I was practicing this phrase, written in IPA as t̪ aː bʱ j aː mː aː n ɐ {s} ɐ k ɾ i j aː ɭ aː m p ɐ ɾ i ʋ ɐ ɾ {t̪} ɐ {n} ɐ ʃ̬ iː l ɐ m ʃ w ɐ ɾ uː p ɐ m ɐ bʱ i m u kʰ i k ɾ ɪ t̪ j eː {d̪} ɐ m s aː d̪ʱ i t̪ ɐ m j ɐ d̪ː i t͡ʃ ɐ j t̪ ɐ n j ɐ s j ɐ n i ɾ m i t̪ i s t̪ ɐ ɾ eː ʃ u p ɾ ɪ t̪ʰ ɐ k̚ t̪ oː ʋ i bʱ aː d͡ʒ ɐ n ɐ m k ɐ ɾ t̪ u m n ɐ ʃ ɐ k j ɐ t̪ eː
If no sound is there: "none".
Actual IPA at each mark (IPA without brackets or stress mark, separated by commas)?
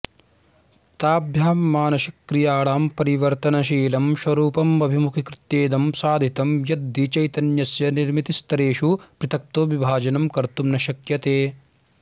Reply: ʃ, t̪, n, d̪